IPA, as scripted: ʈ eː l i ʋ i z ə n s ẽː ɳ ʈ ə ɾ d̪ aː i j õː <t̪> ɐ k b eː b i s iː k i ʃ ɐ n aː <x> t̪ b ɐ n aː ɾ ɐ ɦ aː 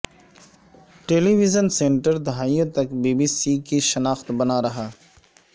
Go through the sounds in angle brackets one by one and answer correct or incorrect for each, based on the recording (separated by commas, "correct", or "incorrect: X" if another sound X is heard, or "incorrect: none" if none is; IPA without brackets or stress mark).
correct, correct